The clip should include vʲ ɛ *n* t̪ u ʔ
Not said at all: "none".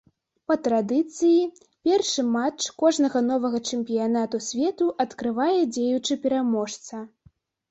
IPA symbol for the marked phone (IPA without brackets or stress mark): none